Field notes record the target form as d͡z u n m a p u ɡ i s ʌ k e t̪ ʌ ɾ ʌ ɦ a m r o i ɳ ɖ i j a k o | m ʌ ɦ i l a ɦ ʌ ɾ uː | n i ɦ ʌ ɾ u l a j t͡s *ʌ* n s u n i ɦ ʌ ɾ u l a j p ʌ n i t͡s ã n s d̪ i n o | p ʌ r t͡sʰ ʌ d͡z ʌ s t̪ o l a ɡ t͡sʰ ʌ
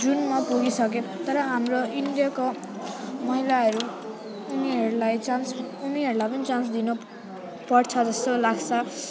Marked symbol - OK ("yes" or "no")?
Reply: no